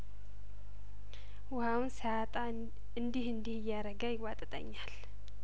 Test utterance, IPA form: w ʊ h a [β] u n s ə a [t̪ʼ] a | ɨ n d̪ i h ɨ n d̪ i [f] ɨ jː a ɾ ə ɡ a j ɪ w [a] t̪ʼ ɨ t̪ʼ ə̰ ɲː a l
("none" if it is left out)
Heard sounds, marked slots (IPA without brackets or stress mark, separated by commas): w, t̪ʼ, h, a